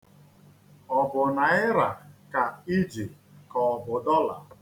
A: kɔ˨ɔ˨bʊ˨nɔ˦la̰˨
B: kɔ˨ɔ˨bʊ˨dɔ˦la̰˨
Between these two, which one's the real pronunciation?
B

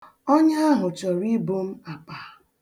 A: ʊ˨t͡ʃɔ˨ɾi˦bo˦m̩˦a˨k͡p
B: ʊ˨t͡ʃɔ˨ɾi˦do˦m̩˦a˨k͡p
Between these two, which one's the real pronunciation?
A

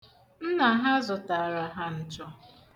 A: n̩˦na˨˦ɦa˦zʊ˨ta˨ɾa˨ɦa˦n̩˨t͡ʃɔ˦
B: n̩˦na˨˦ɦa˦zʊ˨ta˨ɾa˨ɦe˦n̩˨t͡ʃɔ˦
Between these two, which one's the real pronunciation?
A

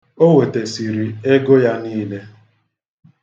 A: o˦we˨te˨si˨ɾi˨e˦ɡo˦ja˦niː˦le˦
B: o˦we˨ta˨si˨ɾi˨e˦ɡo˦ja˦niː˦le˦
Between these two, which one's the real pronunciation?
A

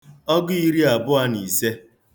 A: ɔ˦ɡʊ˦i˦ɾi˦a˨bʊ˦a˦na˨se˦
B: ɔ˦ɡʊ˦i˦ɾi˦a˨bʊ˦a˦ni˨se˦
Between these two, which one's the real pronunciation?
B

